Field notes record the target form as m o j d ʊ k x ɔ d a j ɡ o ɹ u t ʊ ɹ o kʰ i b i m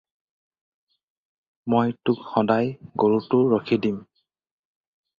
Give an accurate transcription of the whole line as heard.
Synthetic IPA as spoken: m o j t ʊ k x ɔ d a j ɡ o ɹ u t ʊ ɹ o kʰ i d i m